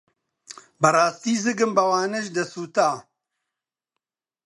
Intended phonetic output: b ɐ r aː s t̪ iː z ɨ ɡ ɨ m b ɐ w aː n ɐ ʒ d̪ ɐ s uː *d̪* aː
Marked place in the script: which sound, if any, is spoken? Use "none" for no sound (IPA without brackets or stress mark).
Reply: t̪